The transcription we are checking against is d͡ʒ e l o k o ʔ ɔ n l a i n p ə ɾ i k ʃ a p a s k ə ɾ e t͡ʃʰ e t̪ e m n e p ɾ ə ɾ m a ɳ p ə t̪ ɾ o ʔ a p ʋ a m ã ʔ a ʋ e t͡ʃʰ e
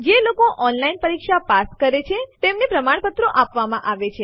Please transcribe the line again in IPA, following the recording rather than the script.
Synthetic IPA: d͡ʒ e l o k o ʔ ɔ n l a i n p ə ɾ i k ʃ a p a s k ə ɾ e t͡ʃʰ e t̪ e m n e p ɾ ə m a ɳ p ə t̪ ɾ o ʔ a p ʋ a m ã ʔ a ʋ e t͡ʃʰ e